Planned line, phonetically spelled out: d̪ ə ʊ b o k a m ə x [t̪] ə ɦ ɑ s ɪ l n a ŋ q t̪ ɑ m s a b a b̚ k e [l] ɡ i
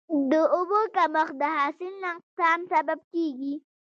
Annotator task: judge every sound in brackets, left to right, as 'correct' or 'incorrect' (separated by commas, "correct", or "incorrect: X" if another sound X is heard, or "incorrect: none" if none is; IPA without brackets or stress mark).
incorrect: d̪, incorrect: none